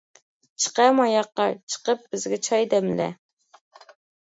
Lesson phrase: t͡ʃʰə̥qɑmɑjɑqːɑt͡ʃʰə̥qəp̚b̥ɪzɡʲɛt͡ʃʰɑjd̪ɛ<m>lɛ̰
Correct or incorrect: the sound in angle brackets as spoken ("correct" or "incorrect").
correct